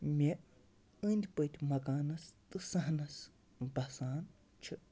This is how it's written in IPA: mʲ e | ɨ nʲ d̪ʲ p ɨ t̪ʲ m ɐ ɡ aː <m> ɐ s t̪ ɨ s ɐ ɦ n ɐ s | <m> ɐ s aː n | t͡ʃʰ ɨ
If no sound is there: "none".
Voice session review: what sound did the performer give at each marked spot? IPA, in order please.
n, b

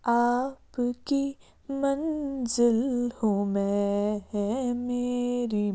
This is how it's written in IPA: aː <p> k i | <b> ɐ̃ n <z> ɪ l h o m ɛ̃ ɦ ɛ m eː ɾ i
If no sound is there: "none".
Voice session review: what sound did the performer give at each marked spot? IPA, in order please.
p, m, z

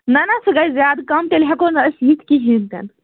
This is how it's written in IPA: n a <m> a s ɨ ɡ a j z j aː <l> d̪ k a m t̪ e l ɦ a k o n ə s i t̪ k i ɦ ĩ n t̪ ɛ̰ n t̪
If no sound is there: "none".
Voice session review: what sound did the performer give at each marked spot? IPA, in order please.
n, none

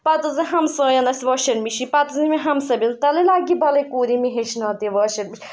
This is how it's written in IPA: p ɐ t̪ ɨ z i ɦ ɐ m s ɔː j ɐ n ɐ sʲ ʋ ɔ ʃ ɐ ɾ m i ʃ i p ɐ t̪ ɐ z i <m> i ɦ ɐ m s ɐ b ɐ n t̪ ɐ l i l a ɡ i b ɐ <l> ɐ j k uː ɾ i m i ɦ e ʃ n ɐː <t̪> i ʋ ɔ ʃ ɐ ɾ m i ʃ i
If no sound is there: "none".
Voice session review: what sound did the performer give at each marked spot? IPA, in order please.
m, l, t̪

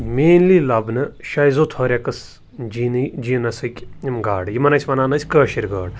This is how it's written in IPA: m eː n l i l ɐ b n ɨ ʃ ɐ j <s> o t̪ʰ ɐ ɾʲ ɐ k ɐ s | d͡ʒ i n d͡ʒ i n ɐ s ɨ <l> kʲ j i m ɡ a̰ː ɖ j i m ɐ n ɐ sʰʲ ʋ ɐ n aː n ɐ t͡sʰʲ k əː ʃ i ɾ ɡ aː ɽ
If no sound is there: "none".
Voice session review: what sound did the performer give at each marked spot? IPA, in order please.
z, none

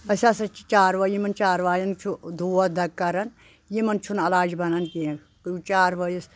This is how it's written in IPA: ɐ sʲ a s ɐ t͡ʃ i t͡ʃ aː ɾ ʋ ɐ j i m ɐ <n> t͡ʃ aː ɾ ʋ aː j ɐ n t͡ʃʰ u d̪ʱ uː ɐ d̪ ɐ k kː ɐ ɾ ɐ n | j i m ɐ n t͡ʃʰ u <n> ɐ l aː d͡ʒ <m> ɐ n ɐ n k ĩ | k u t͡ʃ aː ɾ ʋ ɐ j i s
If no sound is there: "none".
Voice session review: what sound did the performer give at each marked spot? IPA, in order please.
n, n, b

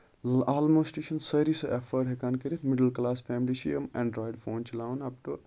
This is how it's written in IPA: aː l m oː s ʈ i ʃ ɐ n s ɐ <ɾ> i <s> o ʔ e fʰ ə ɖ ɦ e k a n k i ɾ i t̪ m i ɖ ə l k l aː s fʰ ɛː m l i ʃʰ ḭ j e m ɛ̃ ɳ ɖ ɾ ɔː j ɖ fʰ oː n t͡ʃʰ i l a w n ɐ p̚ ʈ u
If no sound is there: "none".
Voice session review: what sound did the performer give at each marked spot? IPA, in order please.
ɾ, s

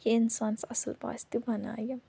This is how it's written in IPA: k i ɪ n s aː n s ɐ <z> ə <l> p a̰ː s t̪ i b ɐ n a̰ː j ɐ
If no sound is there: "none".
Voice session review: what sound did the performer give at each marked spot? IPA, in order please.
s, l

